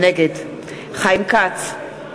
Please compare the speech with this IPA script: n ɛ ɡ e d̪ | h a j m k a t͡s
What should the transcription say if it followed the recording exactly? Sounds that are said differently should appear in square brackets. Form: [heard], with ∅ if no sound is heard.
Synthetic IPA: n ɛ ɡ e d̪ | [χ] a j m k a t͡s